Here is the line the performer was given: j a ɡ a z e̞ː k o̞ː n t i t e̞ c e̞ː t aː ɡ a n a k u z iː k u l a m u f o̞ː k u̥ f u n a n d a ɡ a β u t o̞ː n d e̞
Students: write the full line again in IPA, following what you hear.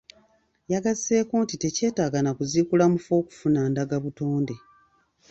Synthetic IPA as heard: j a ɡ a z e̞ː k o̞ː n t i t e̞ c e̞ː t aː ɡ a n a k u z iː k u l a m u f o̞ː k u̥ f u n a n d a ɡ a β u t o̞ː n d e̞